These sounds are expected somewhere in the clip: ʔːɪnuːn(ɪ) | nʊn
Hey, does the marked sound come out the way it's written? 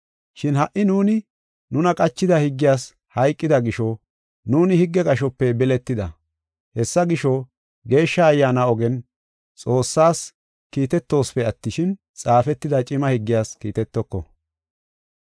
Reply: yes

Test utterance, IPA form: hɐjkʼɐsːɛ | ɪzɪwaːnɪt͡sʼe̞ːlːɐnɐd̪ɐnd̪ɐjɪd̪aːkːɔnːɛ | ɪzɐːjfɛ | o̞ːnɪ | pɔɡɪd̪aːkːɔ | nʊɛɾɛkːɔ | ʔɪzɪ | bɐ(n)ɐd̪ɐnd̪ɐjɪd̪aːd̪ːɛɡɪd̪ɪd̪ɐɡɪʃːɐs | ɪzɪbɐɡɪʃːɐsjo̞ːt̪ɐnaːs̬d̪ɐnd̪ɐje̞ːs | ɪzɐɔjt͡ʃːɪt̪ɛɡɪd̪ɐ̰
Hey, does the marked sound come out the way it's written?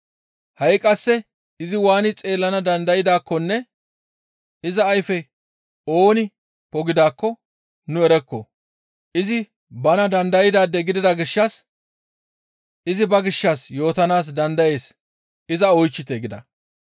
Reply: yes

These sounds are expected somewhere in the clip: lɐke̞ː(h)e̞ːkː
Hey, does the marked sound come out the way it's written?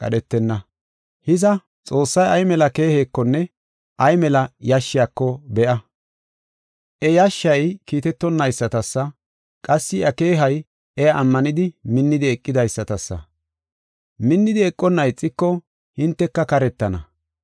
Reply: yes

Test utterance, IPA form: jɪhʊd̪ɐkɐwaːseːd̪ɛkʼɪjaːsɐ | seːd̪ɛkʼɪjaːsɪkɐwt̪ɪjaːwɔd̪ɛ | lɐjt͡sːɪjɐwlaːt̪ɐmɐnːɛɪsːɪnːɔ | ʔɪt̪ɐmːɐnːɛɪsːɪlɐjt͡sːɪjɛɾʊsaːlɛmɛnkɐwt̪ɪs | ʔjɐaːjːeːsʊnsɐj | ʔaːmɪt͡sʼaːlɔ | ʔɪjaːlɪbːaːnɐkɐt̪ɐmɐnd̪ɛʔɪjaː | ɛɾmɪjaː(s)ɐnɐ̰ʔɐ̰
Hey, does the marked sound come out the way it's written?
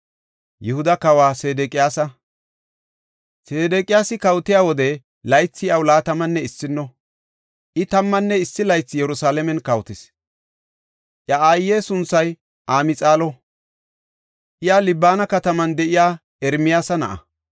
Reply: yes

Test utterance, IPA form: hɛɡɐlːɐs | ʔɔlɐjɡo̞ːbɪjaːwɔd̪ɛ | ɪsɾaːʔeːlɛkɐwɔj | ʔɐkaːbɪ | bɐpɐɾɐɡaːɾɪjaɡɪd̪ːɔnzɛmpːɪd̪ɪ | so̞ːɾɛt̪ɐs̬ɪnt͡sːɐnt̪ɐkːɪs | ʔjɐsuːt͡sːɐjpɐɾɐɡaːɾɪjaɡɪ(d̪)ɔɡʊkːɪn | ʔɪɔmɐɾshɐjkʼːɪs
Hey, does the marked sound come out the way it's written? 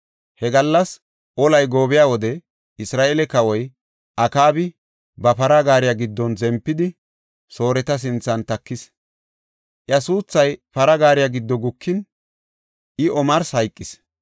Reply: no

